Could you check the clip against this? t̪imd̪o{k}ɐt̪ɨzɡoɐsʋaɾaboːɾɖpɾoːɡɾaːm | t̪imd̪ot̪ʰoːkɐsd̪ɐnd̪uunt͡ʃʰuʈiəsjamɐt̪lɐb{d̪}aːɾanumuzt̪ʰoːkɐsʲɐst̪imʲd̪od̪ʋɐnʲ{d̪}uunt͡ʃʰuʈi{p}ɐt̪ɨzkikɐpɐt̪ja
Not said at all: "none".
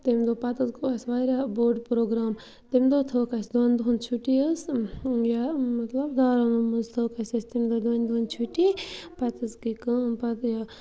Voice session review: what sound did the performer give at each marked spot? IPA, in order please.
p, d̪, d̪, p

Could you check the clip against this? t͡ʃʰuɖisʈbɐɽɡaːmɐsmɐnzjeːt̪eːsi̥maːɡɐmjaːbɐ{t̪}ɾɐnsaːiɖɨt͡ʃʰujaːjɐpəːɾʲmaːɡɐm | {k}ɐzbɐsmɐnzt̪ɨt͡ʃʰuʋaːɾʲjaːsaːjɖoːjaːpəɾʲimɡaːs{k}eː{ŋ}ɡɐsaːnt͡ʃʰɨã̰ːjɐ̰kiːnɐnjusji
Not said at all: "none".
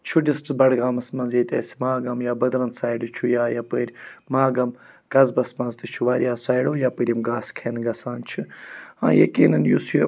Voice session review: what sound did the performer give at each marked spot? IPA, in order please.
d̪, k, kʰ, n

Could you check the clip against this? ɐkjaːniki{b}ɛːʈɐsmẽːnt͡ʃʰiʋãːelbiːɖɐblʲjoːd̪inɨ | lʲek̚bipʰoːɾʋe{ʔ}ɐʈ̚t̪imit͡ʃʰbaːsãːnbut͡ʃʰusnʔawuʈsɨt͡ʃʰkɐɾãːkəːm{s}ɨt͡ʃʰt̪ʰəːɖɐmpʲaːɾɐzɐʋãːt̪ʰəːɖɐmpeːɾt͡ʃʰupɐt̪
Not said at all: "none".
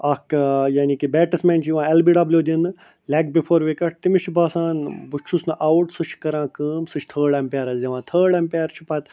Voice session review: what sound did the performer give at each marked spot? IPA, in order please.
b, k, s

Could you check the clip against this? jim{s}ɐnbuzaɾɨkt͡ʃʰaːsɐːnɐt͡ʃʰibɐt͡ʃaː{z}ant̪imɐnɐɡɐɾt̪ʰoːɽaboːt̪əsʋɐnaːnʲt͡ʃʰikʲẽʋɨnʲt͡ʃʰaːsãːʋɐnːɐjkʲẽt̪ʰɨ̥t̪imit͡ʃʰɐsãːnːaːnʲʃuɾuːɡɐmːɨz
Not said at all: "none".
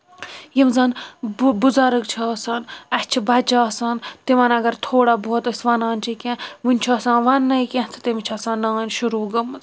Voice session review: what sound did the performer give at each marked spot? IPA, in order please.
z, s

